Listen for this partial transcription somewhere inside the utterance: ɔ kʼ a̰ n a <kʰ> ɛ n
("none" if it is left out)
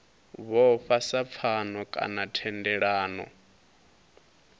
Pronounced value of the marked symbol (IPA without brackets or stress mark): tʰ